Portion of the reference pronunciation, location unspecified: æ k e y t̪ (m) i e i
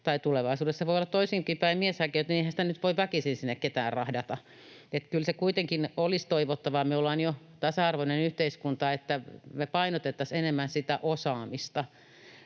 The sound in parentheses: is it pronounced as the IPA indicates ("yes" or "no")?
no